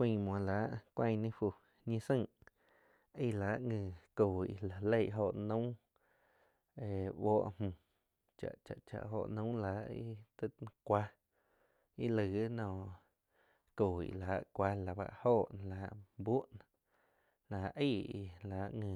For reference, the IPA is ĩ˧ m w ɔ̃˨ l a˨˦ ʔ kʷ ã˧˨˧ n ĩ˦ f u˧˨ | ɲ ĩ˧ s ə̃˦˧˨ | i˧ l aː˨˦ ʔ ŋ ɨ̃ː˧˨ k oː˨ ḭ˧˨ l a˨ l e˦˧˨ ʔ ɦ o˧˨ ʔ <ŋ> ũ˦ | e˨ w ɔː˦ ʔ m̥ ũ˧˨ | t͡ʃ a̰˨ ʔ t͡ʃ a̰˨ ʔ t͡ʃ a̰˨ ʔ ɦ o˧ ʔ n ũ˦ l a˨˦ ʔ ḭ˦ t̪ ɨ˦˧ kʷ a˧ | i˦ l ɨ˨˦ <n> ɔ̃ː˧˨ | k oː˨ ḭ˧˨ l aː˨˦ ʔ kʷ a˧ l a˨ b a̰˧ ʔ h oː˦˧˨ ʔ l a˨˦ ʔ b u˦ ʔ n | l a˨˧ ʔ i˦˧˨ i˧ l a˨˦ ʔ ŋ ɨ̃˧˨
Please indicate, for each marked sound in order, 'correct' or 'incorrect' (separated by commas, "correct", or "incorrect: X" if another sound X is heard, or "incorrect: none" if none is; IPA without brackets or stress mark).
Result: incorrect: n, correct